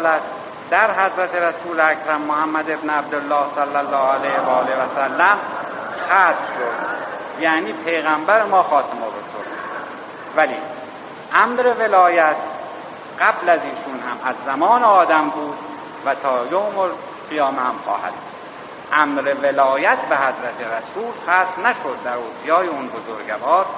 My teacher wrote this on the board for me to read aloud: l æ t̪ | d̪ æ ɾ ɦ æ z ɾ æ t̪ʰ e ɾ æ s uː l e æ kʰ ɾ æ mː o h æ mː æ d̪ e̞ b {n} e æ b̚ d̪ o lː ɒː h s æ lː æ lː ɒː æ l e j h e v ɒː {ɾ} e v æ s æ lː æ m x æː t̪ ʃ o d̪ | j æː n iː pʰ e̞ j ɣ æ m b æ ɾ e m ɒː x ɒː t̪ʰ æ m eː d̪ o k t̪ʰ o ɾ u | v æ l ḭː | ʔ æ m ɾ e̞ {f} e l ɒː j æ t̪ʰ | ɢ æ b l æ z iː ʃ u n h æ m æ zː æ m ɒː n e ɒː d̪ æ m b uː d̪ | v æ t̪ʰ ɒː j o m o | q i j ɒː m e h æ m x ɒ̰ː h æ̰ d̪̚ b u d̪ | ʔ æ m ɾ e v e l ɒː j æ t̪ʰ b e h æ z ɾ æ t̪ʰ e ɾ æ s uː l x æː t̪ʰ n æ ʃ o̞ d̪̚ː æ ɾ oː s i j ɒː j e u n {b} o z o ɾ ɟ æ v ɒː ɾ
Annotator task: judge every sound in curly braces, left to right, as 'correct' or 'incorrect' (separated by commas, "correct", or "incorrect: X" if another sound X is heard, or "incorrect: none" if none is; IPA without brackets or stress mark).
correct, incorrect: l, incorrect: v, correct